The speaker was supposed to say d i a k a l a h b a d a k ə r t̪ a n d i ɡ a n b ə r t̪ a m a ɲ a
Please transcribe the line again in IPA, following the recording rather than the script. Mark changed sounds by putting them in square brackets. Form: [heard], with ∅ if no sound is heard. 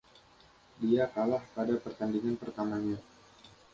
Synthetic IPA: d i a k a l a h [p] a d a [p] ə r t̪ a n d i [ŋ] a n [p] ə r t̪ a m a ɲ a